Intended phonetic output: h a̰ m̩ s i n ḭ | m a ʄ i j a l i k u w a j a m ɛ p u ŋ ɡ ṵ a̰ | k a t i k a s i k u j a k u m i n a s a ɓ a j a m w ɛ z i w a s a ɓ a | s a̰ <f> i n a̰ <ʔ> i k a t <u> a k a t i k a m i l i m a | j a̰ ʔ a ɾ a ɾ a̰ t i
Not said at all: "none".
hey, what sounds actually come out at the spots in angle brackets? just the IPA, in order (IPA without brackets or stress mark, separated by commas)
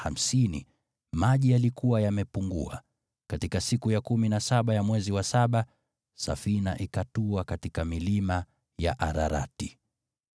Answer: f, ʔ, u